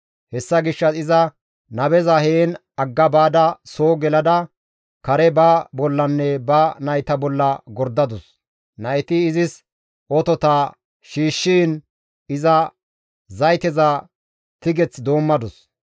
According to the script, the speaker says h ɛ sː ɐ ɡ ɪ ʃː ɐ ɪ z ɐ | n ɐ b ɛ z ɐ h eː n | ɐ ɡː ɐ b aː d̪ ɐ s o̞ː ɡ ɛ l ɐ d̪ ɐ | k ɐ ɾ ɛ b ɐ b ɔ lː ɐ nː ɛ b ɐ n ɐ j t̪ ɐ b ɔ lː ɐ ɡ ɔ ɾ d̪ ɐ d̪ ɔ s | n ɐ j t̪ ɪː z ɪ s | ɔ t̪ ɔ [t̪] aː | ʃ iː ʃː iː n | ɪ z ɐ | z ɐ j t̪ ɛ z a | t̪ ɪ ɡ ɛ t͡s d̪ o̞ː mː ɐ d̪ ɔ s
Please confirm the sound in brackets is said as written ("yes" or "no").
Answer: yes